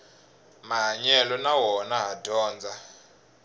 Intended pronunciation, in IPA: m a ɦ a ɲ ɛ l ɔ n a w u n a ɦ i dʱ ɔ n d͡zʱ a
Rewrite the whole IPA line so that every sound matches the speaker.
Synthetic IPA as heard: m a ɦ a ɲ ɛ l ɔ n a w ɔ n a ɦ a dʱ ɔː n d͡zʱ a

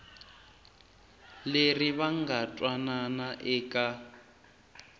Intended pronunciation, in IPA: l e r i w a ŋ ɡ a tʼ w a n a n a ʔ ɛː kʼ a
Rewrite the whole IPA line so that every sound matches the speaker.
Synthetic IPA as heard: l e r i β a ŋ ɡ a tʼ w a n a n a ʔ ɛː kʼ a

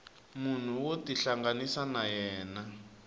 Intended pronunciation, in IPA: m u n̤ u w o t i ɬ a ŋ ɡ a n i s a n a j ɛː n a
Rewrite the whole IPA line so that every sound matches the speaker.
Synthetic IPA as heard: m u n̤ u w o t i ɬ a ŋ ɡ a n i s a n a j ɛː n a

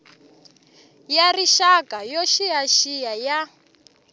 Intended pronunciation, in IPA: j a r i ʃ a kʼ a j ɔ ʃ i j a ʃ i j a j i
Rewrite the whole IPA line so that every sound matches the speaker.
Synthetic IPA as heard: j a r i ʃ a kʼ a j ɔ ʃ i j a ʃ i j a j a

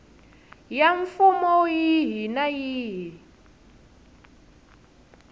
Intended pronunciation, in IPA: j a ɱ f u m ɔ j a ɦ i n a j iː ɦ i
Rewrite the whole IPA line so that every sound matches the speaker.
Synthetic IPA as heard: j a ɱ f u m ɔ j i ɦ i n a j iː ɦ i

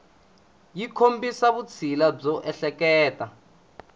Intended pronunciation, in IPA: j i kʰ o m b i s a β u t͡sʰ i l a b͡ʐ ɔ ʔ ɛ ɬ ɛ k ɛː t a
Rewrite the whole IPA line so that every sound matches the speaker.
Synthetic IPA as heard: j i kʰ o m b i s a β u t͡sʰ i l a b͡ʐ ɔ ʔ ɛ ɬ ɛ k ɛː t a

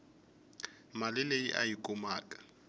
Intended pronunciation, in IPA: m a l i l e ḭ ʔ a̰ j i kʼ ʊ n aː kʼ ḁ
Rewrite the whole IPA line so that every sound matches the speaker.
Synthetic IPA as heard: m a l ɪ l e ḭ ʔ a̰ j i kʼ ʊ m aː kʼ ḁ

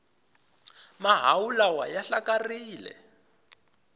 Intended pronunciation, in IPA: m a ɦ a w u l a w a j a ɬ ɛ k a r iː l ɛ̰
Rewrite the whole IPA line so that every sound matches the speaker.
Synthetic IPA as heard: m a ɦ a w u l a w a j a ɬ a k a r iː l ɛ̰

